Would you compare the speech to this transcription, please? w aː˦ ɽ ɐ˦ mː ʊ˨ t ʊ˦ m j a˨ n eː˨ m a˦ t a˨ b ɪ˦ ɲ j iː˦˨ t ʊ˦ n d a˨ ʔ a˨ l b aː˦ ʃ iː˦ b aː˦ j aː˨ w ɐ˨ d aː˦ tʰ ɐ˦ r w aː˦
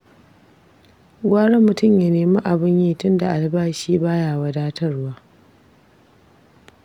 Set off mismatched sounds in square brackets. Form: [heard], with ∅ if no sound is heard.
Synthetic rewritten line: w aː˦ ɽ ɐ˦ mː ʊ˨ t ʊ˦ m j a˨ n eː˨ m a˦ [ʔ] a˨ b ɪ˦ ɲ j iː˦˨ t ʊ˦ n d a˨ ʔ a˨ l b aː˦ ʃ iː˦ b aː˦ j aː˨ w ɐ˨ d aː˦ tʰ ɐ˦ r w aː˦